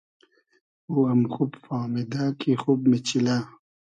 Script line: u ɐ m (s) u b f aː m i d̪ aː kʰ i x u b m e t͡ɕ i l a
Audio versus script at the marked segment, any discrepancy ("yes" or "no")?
yes